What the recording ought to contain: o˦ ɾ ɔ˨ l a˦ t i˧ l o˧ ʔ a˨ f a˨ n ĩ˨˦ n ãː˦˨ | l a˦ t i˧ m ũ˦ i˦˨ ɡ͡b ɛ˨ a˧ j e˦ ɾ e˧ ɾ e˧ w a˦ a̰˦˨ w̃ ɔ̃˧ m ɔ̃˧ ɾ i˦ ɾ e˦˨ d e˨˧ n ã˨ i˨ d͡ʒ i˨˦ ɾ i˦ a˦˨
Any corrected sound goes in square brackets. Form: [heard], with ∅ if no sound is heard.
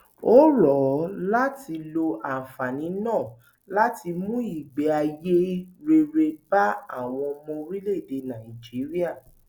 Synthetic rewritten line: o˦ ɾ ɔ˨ l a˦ t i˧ l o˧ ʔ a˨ f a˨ n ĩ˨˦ n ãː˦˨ | l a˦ t i˧ m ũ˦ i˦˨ ɡ͡b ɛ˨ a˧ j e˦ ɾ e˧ ɾ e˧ [b] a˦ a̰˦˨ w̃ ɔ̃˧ m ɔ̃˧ ɾ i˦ [l] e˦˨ d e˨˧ n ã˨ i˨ d͡ʒ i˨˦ ɾ i˦ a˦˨